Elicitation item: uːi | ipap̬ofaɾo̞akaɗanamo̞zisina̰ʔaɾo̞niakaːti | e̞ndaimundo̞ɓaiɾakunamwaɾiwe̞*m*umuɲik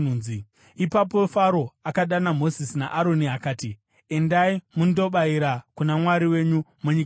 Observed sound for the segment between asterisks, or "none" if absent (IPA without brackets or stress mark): ɲ